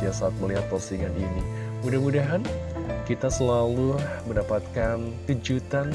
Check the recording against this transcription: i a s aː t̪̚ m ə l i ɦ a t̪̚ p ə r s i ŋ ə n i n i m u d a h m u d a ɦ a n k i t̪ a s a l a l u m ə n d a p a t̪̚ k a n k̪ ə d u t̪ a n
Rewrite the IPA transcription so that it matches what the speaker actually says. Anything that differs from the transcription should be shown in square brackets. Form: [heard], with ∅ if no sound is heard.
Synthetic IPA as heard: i a s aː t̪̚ m ə l i ɦ a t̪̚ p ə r s i ŋ [a] n i n i m u d a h m u d a ɦ a n k i t̪ a s [ə] l a l u m ə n d a p a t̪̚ k a n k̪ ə [d͡ʒ] u t̪ a n

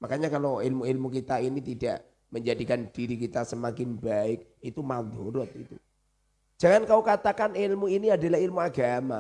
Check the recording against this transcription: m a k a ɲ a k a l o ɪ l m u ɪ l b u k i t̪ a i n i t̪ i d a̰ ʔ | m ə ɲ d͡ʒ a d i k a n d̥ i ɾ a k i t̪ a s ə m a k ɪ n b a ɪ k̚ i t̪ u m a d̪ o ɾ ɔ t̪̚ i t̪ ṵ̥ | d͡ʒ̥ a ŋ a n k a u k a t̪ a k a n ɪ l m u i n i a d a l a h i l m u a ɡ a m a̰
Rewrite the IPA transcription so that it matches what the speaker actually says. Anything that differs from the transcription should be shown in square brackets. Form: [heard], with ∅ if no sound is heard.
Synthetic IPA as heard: m a k a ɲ a k a l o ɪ l m u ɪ l [m] u k i t̪ a i n i t̪ i d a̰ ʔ | m ə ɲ d͡ʒ a d i k a n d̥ i ɾ [i] k i t̪ a s ə m a k ɪ n b a ɪ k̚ i t̪ u m a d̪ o ɾ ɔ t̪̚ i t̪ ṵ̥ | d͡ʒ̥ a ŋ a n k a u k a t̪ a k a n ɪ l m u i n i a d a l a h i l m u a ɡ a m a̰

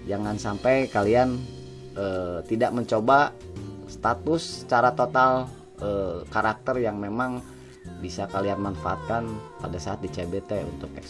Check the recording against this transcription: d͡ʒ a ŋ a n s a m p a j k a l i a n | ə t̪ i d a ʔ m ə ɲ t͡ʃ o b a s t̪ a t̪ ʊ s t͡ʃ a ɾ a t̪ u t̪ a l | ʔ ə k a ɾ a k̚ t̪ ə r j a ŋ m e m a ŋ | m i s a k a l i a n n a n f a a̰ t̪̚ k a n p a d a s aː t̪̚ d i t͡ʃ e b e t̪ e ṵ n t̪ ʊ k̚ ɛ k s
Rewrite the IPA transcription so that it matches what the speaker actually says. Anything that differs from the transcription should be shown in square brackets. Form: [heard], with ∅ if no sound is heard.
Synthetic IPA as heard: d͡ʒ a ŋ a n s a m p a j k a l i a n | ə t̪ i d a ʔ m ə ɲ t͡ʃ o b a s t̪ a t̪ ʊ s t͡ʃ a ɾ a t̪ [o] t̪ a l | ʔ ə k a ɾ a k̚ t̪ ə r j a ŋ m e m a ŋ | [b] i s a k a l i a n [m] a n f a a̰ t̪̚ k a n p a d a s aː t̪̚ d i t͡ʃ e b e t̪ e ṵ n t̪ ʊ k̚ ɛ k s

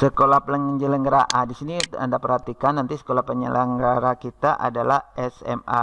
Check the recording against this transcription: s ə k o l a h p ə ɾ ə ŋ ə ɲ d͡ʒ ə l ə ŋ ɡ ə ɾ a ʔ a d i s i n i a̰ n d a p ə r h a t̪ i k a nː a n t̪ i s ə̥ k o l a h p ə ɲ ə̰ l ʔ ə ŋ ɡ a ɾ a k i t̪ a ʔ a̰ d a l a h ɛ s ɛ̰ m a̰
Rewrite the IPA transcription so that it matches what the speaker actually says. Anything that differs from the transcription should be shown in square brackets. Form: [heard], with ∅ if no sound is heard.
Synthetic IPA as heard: s ə k o l a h p ə [l] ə ŋ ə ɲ d͡ʒ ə l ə ŋ ɡ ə ɾ a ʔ a d i s i n i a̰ n d a p ə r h a t̪ i k a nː a n t̪ i s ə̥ k o l a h p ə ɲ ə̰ l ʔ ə ŋ ɡ a ɾ a k i t̪ a ʔ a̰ d a l a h ɛ s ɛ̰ m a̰

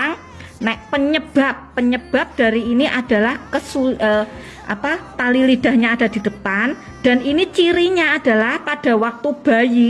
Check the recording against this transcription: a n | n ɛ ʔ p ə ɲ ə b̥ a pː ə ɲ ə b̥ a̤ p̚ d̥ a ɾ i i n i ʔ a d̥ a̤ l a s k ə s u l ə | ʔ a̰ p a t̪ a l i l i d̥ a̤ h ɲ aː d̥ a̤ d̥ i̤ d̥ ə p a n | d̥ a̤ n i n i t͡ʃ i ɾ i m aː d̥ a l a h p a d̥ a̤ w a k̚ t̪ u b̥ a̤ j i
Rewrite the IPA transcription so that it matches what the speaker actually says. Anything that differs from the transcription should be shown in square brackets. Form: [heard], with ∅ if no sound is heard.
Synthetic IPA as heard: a [ŋ] | n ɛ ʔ p ə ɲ ə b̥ a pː ə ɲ ə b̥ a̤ p̚ d̥ a ɾ i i n i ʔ a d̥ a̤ l a [h] k ə s u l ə | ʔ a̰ p a t̪ a l i l i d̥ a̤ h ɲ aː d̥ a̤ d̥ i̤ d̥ ə p a n | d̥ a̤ n i n i t͡ʃ i ɾ i [ɲ] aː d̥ a l a h p a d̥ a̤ w a k̚ t̪ u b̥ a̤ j i

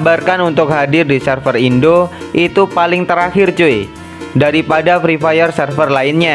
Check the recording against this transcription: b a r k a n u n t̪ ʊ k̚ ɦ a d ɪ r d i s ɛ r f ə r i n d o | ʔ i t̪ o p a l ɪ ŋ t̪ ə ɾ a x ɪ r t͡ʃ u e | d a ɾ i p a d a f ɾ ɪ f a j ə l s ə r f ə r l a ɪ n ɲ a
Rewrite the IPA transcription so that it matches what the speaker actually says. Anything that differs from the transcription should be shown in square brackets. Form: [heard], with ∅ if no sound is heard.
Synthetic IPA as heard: b a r k a n u n t̪ ʊ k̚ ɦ a d ɪ r d i s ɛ r f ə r i n d o | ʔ i t̪ [u] p a l ɪ ŋ t̪ ə ɾ a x ɪ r t͡ʃ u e | d a ɾ i p a d a f ɾ [i] f a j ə [r] s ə r f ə r l a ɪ n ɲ a

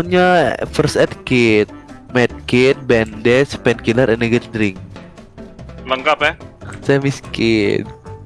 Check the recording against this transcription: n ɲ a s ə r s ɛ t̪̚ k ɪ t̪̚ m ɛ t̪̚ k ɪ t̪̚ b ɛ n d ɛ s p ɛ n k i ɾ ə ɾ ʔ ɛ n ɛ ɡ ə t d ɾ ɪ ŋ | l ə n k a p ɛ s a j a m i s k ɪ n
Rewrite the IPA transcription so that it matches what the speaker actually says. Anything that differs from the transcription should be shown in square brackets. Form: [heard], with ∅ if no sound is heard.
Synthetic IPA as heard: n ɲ a [f] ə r s ɛ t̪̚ k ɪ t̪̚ m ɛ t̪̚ k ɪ t̪̚ b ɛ n d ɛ s p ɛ n k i [l] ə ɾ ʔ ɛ n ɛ ɡ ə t d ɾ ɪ ŋ | l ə [ŋ] k a p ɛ s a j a m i s k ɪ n

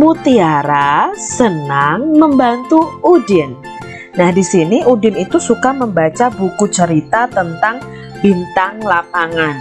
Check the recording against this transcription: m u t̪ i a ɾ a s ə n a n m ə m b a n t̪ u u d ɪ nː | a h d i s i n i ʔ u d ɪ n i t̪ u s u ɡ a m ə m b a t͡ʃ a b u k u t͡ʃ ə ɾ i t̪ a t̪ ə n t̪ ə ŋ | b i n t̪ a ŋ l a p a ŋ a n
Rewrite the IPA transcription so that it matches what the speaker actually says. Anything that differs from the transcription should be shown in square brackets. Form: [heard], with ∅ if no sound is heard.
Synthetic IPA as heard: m u t̪ i a ɾ a s ə n a [ŋ] m ə m b a n t̪ u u d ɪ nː | a h d i s i n i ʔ u d ɪ n i t̪ u s u [k] a m ə m b a t͡ʃ a b u k u t͡ʃ ə ɾ i t̪ a t̪ ə n t̪ [a] ŋ | b i n t̪ a ŋ l a p a ŋ a n

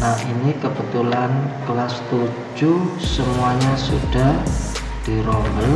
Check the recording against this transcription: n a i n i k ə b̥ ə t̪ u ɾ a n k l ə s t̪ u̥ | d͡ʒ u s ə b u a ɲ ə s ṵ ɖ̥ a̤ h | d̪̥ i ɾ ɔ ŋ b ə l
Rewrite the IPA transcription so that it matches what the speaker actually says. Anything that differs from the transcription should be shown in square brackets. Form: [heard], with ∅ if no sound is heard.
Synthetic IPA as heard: n a i n i k ə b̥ ə t̪ u [l] a n k l [a] s t̪ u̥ | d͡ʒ u s ə [m] u a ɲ [a] s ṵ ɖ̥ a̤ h | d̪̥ i ɾ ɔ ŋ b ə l

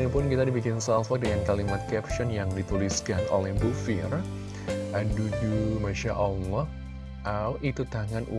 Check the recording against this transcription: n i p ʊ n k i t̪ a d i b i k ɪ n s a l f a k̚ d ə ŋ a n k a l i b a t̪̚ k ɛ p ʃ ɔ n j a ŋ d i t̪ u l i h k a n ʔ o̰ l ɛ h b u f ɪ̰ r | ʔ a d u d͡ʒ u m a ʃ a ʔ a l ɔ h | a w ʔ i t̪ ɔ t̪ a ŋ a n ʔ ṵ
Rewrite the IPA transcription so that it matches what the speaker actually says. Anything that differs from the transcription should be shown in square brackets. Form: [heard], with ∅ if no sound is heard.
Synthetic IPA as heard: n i p ʊ n k i t̪ a d i b i k ɪ n s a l f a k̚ d ə ŋ a n k a l i [m] a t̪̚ k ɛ p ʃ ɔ n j a ŋ d i t̪ u l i [s] k a n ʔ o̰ l ɛ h b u f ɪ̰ r | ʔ a d u d͡ʒ u m a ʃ a ʔ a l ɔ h | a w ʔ i t̪ [u] t̪ a ŋ a n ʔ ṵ

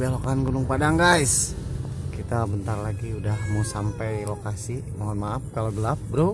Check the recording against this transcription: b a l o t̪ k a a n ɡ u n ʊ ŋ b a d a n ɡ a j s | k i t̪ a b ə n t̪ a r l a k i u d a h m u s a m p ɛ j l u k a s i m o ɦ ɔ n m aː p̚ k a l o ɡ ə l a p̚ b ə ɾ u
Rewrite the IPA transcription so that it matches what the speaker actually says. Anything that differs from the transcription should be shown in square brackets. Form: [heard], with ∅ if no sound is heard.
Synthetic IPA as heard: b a l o [∅] k a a n ɡ u n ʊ ŋ [p] a d a [ŋ] ɡ a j s | k i t̪ a b ə n t̪ a r l a [ɡ] i u d a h m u s a m p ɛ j l [o] k a s i m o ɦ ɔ n m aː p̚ k a l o ɡ ə l a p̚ b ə ɾ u

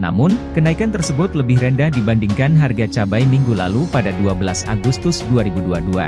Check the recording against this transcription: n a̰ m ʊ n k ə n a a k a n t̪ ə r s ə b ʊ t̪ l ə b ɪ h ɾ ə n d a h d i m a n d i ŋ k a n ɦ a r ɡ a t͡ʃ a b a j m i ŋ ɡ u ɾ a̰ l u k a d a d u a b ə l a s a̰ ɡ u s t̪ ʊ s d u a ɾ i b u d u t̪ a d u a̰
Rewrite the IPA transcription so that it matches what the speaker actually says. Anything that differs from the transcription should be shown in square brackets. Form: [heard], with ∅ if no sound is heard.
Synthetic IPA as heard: n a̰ m ʊ n k ə n a [i] k a n t̪ ə r s ə b ʊ t̪ l ə b ɪ h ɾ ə n d a h d i [b] a n d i ŋ k a n ɦ a r ɡ a t͡ʃ a b a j m i ŋ ɡ u [l] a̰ l u [p] a d a d u a b ə l a s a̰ ɡ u s t̪ ʊ s d u a ɾ i b u d u [∅] a d u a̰

